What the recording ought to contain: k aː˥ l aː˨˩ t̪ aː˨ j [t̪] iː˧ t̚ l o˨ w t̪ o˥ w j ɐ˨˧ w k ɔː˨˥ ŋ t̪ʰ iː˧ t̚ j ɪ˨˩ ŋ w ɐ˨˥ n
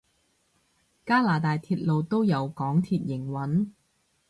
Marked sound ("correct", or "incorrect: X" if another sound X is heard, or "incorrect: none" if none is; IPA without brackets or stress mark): incorrect: t̪ʰ